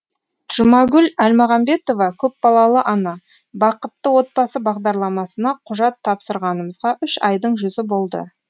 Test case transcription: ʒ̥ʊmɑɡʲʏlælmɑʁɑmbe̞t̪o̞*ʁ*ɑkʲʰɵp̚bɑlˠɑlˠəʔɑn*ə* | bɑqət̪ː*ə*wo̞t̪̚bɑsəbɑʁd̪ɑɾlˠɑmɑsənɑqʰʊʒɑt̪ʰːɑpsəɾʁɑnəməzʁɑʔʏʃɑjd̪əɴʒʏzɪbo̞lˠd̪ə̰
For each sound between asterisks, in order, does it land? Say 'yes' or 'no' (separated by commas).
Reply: no, no, yes